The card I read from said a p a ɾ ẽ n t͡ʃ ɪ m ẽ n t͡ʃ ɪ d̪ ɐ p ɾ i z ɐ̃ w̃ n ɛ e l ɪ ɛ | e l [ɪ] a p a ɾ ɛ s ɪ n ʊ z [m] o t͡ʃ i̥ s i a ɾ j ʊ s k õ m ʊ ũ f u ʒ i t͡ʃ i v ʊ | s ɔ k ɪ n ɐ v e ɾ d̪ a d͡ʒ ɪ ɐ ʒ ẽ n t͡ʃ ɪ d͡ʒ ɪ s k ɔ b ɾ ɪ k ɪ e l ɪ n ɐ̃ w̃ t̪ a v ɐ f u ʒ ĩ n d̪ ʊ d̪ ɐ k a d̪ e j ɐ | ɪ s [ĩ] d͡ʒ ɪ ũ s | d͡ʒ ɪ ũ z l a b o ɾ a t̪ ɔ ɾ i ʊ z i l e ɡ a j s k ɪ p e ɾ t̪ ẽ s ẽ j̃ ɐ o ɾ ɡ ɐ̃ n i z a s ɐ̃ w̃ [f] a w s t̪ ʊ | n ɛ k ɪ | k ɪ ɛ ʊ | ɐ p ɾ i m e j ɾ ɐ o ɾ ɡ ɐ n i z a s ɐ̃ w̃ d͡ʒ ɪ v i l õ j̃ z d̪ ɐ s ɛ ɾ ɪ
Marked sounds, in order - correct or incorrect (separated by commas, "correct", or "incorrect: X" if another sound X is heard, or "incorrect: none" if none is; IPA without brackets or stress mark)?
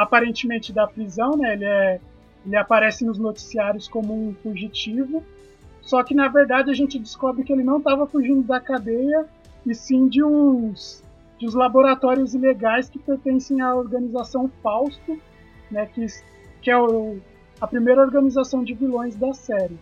correct, incorrect: n, correct, correct